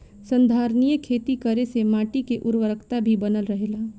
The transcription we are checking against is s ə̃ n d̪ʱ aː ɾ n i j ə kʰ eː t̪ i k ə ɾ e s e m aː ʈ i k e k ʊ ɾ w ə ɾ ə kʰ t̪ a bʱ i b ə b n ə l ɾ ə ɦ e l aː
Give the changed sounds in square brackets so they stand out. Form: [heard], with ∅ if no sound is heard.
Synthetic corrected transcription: s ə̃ n d̪ʱ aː ɾ n i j ə kʰ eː t̪ i k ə ɾ e s e m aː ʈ i k e [ʔ] ʊ ɾ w ə ɾ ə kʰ t̪ a bʱ i b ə [∅] n ə l ɾ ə ɦ e l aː

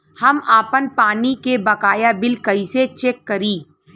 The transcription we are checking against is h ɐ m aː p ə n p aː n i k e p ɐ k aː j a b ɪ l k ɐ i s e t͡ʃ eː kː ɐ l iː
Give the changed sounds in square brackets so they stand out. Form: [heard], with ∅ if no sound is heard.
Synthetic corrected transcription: h ɐ m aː p ə n p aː n i k e [b] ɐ k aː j a b ɪ l k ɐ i s e t͡ʃ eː kː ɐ [ɾ] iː

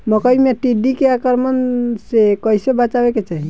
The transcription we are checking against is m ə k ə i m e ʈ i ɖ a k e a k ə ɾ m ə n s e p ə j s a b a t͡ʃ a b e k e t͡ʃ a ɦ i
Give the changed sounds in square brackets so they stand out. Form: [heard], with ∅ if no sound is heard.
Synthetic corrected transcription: m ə k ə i m e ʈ i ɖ [i] k e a k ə ɾ m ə n s e [k] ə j s [e] b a t͡ʃ a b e k e t͡ʃ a ɦ i

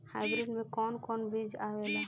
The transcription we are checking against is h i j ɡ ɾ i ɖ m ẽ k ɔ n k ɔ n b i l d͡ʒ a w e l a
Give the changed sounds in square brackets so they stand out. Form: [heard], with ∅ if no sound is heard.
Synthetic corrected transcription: h [a] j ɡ ɾ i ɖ m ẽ k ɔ n k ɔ n b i [∅] d͡ʒ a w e l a

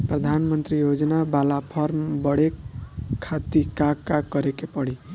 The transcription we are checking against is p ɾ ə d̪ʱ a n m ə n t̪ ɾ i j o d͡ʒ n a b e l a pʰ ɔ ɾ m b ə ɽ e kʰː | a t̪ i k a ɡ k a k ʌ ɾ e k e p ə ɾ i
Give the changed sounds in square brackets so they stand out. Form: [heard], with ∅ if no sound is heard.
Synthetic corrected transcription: p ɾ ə d̪ʱ a n m ə n t̪ ɾ i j o d͡ʒ n a b [a] l a pʰ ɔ ɾ m b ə ɽ e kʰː | a t̪ i k a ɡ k a k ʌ ɾ e k e p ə [ɽ] i

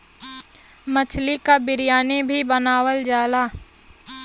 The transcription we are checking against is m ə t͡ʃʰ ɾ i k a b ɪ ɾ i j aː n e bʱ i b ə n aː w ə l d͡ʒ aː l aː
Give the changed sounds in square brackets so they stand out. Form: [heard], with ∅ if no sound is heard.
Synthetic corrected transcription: m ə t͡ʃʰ [l] i k a b ɪ ɾ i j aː n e bʱ i b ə n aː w ə l d͡ʒ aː l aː

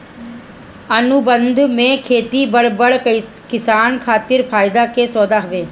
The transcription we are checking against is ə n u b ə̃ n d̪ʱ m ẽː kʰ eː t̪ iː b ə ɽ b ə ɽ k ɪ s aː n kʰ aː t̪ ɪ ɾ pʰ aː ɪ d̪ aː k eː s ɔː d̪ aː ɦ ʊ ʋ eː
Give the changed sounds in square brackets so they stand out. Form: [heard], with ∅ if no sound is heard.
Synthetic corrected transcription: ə n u b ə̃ n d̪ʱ m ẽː kʰ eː t̪ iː b ə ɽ b ə ɽ k ɪ s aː n kʰ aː t̪ ɪ ɾ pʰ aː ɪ d̪ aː k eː s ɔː d̪ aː ɦ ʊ ʋ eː

